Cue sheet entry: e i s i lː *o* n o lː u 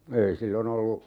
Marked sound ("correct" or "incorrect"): correct